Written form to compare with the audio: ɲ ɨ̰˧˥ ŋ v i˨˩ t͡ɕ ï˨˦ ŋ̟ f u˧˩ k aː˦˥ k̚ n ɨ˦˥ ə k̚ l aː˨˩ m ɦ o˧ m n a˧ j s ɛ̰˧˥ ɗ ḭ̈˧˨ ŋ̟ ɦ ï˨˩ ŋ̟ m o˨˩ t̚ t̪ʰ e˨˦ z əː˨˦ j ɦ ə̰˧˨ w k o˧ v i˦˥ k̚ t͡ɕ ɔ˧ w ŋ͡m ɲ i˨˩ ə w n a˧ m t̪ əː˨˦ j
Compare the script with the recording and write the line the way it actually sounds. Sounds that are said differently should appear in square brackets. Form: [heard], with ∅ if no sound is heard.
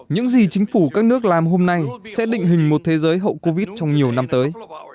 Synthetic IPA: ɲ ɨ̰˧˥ ŋ [z] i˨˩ t͡ɕ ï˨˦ ŋ̟ f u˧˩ k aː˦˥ k̚ n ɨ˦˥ ə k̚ l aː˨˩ m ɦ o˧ m n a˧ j s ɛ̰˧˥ ɗ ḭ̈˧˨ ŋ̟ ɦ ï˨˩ ŋ̟ m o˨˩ t̚ t̪ʰ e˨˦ z əː˨˦ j ɦ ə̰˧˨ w k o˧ v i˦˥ [t̚] t͡ɕ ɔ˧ w ŋ͡m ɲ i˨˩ ə w n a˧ m t̪ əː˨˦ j